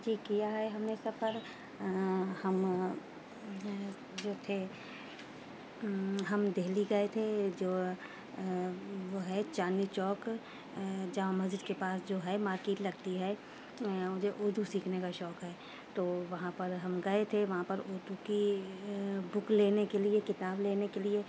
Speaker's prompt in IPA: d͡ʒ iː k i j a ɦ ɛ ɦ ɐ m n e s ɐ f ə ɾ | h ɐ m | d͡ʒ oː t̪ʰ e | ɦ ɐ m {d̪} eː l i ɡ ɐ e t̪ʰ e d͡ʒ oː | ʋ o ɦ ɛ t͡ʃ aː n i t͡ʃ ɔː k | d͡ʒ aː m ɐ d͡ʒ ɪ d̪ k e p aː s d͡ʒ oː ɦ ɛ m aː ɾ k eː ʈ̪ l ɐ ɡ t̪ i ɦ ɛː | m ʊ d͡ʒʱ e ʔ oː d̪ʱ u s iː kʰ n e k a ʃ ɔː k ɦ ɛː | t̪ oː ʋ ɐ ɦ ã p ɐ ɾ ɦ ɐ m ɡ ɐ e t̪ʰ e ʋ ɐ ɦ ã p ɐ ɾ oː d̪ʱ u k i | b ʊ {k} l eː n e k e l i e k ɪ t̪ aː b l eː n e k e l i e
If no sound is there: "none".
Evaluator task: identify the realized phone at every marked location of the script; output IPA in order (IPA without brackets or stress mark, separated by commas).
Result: d̪, k